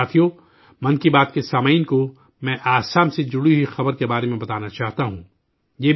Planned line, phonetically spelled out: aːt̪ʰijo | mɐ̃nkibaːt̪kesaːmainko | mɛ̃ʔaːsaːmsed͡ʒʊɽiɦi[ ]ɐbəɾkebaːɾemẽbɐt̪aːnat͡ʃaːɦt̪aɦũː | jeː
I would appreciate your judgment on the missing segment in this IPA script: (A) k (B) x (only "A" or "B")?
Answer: B